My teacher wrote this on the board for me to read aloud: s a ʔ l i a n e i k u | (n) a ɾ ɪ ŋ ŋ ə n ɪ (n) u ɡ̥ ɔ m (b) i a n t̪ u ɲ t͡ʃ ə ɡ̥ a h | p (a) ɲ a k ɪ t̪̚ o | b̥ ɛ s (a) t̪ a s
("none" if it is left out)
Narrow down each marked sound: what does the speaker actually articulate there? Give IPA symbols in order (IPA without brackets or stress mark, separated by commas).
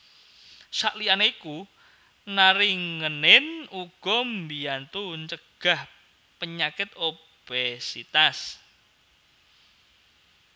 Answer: n, n, b, ə, i